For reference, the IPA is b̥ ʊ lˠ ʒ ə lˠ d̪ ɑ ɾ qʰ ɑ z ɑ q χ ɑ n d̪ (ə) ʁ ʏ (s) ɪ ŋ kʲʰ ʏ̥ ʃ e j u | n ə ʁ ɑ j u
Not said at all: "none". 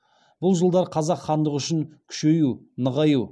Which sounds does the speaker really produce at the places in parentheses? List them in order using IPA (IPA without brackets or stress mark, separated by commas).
ə, ʃ